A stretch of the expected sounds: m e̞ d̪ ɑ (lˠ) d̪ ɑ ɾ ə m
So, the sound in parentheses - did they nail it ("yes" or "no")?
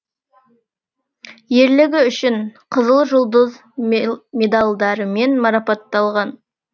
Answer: yes